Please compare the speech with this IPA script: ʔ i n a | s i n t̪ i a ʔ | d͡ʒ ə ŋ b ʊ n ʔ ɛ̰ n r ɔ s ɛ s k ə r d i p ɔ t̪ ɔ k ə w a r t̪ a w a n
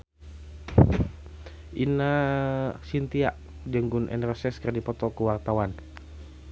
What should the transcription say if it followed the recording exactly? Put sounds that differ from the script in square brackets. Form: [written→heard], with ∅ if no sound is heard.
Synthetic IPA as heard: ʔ i n a | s i n t̪ i a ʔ | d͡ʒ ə ŋ [b→ɡ] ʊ n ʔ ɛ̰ n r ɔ s ɛ s k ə r d i p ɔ t̪ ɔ k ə w a r t̪ a w a n